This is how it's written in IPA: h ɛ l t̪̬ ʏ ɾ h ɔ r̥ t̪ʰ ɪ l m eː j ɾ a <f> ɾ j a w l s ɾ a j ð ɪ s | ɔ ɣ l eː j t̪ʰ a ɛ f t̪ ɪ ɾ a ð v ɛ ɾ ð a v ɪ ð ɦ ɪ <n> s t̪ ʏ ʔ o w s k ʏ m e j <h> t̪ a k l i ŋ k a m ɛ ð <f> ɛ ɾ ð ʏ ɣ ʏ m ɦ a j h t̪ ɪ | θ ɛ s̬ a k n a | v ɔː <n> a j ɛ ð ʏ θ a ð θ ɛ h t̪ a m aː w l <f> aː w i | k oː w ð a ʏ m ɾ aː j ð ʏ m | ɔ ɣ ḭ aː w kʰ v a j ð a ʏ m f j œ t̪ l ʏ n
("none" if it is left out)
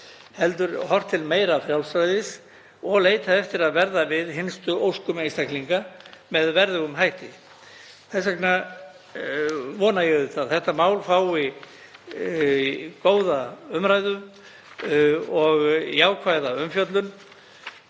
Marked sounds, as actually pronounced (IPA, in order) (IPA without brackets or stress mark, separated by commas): f, n, s, v, n, f